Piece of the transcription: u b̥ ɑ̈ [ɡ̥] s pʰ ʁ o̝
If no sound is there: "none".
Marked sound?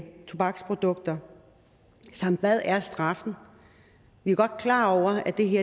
ɡ̥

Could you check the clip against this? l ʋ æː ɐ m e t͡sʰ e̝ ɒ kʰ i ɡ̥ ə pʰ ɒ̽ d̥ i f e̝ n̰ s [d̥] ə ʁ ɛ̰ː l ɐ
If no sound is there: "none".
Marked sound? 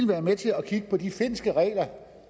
ɡ̥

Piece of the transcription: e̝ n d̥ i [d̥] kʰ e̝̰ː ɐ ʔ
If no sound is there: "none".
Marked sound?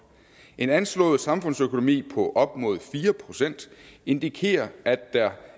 none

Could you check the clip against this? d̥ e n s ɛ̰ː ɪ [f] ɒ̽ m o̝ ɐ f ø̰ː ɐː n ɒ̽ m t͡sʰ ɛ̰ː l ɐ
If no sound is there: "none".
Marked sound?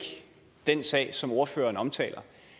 s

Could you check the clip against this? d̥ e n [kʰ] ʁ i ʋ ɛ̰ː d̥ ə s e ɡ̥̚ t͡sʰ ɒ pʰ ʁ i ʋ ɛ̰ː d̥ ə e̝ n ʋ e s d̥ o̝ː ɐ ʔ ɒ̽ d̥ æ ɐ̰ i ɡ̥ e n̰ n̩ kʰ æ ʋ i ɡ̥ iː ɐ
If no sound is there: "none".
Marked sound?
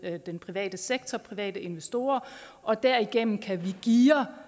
pʰ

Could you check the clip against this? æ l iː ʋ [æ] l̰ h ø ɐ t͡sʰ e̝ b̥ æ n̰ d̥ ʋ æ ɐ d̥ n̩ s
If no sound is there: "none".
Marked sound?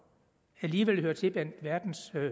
e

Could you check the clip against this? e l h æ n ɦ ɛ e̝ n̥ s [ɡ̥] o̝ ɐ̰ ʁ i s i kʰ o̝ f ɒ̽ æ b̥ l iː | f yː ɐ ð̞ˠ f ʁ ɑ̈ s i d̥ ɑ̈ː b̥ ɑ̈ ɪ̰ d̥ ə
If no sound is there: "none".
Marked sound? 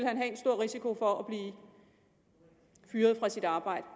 d̥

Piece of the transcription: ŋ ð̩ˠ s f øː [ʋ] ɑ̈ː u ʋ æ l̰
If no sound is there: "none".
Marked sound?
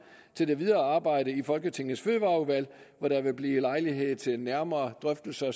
ʋ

